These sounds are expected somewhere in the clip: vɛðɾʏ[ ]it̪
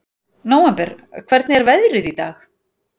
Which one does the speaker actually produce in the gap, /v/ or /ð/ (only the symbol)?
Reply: ð